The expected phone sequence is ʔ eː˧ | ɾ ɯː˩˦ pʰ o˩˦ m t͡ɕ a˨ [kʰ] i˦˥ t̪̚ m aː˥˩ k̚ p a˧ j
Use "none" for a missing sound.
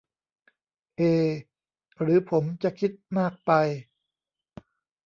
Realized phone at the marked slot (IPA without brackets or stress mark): kʰ